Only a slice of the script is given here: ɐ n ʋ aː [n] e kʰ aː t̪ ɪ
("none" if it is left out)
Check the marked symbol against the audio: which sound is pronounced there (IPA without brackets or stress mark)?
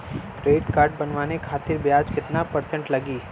n